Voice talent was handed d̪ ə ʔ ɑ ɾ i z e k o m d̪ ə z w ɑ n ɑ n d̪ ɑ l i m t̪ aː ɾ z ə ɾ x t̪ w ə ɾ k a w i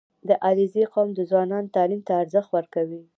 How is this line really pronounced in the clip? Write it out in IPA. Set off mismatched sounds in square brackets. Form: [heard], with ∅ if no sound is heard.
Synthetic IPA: d̪ ə ʔ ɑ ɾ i z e [q] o m d̪ ə z w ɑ n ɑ n [t̪] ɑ l i m t̪ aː ɾ z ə [∅] x t̪ w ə ɾ k a w i